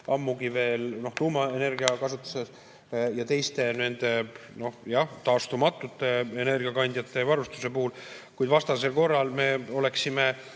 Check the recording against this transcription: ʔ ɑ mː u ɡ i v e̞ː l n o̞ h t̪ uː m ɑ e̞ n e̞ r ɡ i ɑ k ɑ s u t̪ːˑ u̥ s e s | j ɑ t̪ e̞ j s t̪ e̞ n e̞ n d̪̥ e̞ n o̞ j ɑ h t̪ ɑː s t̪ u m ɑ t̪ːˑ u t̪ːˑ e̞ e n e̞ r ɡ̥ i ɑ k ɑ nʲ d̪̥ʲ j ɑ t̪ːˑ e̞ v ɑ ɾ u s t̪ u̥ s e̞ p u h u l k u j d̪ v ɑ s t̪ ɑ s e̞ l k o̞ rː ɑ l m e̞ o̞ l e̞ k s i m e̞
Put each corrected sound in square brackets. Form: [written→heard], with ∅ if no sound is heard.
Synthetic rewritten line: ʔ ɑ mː u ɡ i v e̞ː l n o̞ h t̪ uː m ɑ e̞ n e̞ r ɡ i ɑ k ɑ s u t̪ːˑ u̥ s e s | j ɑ t̪ e̞ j s t̪ e̞ n e̞ n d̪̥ e̞ n o̞ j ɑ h t̪ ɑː s t̪ u m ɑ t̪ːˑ u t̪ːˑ e̞ e n e̞ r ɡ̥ i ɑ k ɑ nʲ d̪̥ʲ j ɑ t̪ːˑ e̞ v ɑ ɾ u s t̪ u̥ s e̞ p u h u l k u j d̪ v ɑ s t̪ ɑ s e̞ l k o̞ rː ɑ l m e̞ o̞ l e̞ k s i m e̞